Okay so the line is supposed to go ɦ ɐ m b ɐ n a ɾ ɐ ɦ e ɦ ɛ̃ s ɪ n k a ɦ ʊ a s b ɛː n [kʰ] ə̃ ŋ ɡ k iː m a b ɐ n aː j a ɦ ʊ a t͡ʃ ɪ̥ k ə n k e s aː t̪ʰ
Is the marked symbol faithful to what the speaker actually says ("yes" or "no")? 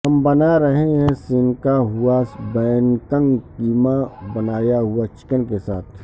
no